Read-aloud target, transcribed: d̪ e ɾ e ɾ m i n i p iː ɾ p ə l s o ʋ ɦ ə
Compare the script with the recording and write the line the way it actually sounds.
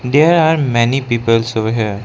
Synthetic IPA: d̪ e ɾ a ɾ m ɛ n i p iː p ə l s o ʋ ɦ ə